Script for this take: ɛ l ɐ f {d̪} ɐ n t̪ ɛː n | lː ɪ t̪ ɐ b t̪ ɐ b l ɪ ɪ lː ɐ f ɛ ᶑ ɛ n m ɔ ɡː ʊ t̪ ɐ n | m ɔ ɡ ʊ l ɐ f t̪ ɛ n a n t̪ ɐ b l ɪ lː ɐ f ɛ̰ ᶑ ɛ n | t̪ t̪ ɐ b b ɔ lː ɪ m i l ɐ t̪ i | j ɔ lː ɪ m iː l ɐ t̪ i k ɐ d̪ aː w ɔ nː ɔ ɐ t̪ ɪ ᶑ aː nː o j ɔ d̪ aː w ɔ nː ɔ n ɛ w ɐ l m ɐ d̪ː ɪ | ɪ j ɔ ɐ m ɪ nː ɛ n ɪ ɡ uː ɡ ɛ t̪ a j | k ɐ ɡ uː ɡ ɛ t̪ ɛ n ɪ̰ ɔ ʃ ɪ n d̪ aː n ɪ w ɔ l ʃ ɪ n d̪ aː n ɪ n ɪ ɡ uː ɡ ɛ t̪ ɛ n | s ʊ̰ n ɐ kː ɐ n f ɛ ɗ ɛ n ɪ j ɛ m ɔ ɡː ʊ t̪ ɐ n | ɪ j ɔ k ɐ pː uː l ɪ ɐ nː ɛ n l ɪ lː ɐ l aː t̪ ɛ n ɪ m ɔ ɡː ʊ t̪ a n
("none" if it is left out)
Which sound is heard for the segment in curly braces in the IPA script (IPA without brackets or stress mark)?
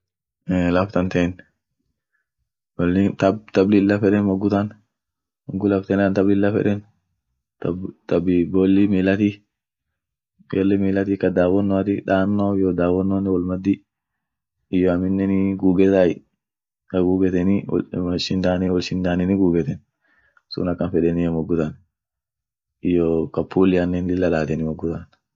t̪